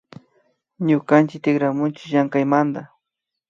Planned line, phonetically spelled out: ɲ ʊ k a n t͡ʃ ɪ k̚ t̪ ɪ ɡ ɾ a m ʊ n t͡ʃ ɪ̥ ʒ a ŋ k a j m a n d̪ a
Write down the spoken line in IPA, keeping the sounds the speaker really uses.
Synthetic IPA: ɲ ʊ k a n t͡ʃ ɪ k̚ t̪ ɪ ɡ ɾ a m ʊ n t͡ʃ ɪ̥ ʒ a ŋ k a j m a n d̪ a

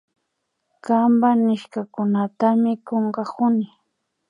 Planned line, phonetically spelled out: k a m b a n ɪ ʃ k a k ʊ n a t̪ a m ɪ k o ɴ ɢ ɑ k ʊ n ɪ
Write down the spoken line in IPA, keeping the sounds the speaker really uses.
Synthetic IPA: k a m b a n ɪ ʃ k a k ʊ n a t̪ a m ɪ k o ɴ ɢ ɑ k ʊ n ɪ

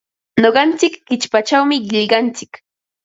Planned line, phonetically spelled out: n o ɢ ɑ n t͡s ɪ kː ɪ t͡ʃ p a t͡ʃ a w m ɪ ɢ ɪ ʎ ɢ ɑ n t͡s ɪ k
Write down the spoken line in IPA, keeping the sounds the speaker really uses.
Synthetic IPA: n o ɢ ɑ n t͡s ɪ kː ɪ t͡ʃ p a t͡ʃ a w m ɪ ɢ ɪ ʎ ɢ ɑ n t͡s ɪ k

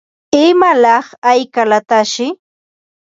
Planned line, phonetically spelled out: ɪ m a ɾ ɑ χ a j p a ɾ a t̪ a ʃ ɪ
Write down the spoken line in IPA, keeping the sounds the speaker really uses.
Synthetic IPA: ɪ m a l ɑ χ a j k a l a t̪ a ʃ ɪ

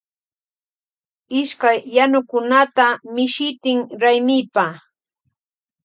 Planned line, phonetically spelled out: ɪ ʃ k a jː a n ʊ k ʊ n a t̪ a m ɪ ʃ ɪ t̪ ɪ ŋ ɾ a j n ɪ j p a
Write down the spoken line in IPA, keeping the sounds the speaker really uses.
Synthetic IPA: ɪ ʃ k a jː a n ʊ k ʊ n a t̪ a m ɪ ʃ ɪ t̪ ɪ ŋ ɾ a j m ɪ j p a

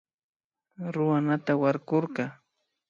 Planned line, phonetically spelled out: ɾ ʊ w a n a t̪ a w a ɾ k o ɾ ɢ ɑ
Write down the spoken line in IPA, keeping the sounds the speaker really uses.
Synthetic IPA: ɾ ʊ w a n a t̪ a w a ɾ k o ɾ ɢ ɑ

